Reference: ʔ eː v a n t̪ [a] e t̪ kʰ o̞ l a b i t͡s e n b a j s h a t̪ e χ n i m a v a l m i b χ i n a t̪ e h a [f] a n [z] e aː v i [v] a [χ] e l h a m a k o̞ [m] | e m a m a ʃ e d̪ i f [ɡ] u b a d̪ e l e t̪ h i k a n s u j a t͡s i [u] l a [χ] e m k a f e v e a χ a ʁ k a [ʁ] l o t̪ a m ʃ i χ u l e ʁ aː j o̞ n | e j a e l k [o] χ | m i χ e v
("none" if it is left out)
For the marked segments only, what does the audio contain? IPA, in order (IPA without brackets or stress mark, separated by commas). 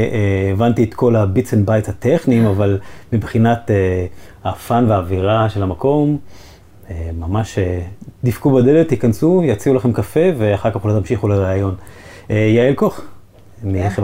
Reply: i, f, v, ʁ, ʃ, m, k, u, χ, χ, o